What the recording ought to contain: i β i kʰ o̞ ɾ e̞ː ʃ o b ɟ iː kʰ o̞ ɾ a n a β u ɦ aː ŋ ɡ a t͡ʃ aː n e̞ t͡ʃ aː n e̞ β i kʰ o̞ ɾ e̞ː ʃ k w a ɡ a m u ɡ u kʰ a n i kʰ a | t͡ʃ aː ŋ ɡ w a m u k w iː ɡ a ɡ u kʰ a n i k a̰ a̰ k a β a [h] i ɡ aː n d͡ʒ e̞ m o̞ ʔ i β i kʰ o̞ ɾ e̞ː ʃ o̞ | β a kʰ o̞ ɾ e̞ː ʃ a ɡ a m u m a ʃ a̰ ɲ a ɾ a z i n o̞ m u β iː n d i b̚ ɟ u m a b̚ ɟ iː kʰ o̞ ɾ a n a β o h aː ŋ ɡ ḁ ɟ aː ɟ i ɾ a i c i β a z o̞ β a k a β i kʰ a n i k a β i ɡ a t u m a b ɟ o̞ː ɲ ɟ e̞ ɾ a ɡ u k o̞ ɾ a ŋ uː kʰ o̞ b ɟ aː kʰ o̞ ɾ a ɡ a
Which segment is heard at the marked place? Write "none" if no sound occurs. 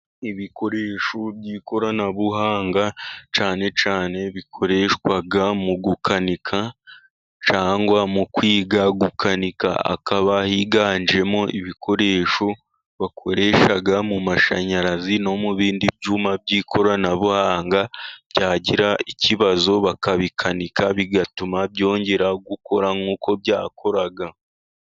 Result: h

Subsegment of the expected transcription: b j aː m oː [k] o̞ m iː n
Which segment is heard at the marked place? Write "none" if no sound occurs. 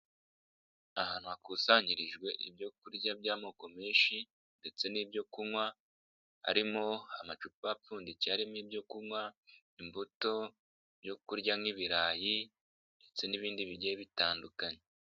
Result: k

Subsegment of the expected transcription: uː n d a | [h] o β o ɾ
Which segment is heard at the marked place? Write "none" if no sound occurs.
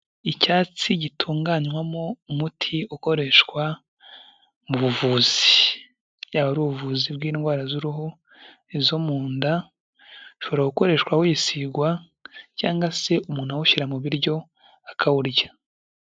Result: ʃ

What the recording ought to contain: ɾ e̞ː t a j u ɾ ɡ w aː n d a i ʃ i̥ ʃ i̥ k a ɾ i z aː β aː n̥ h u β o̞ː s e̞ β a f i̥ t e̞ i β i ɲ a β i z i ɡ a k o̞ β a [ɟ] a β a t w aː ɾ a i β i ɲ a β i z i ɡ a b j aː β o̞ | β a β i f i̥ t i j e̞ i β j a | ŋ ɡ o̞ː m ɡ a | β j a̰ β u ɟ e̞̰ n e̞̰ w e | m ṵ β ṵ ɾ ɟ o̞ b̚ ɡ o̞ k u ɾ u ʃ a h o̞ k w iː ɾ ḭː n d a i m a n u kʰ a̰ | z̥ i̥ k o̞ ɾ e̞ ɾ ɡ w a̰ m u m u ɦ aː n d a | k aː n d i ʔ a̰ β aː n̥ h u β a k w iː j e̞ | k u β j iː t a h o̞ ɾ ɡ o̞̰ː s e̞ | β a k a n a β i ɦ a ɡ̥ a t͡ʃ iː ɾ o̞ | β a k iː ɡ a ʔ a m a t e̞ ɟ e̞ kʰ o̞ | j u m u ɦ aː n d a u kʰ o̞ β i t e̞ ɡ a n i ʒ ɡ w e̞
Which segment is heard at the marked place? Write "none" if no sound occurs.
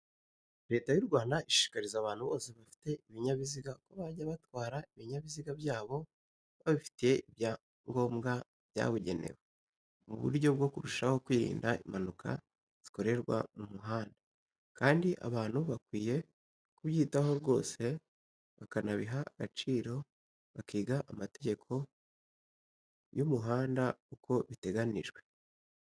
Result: ɟ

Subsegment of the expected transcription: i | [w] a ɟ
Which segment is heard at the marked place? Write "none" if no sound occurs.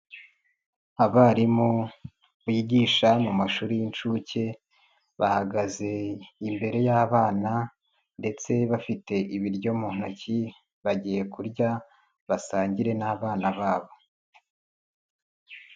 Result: β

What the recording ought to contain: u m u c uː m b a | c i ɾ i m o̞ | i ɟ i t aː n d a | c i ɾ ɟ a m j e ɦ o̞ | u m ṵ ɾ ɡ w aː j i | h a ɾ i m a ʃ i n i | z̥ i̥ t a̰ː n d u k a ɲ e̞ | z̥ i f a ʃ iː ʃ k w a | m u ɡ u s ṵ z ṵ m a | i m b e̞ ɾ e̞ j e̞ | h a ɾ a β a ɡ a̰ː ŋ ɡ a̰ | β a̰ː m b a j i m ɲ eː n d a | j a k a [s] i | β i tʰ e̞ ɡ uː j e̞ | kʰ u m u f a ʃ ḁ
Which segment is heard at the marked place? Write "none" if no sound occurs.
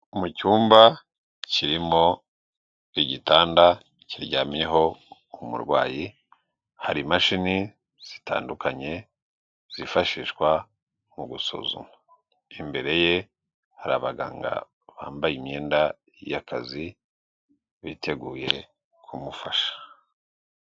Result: z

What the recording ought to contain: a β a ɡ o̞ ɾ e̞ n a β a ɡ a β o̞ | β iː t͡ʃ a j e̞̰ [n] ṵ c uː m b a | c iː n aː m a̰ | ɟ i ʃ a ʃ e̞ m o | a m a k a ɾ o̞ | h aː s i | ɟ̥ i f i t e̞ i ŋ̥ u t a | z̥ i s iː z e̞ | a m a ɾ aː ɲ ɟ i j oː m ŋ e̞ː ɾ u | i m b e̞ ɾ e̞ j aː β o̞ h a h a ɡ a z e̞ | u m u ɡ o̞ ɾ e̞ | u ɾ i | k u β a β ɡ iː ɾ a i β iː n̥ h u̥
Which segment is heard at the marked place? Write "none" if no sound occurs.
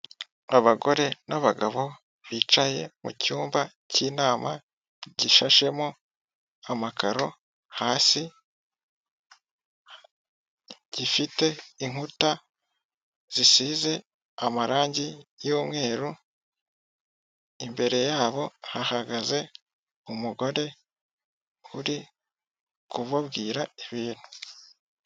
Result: m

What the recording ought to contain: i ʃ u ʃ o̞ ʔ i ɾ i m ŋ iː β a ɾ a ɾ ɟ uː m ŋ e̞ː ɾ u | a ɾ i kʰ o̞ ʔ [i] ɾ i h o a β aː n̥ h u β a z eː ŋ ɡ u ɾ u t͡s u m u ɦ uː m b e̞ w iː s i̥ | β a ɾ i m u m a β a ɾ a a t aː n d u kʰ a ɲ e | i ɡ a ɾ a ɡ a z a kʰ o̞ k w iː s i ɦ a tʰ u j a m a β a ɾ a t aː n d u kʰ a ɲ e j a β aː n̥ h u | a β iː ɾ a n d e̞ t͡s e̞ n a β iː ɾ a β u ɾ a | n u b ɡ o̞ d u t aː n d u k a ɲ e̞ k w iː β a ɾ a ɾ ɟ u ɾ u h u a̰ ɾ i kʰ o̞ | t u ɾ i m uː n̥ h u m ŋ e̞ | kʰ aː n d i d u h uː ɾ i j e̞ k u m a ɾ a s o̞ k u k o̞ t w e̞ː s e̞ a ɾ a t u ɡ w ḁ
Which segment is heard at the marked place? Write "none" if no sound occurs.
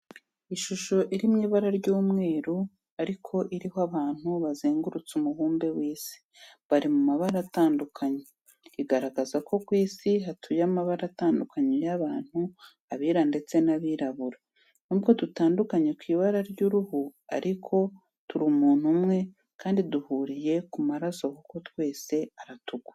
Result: i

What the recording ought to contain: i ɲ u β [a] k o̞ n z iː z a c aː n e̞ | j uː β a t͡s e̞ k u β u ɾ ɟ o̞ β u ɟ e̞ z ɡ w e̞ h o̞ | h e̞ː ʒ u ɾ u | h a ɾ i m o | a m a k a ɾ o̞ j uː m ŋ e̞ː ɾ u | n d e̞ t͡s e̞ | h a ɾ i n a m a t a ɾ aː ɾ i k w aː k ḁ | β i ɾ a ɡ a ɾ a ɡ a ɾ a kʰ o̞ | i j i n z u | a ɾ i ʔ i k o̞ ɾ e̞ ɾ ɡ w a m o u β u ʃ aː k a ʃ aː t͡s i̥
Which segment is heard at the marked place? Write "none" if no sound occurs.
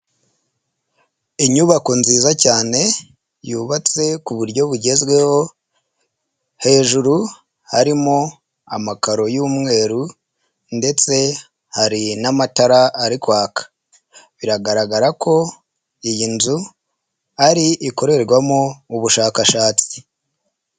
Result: a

